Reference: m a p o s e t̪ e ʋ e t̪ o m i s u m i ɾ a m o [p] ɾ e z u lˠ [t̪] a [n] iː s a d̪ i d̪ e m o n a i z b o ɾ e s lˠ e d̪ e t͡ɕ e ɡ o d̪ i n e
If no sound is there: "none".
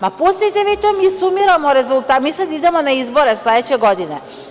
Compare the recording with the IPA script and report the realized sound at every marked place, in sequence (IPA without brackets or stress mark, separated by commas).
none, t̪, m